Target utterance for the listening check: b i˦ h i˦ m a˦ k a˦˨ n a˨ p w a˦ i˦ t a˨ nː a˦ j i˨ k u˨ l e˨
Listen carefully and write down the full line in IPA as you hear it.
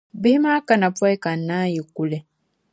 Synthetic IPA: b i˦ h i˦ m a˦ k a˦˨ n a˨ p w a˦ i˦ k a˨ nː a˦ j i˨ k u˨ l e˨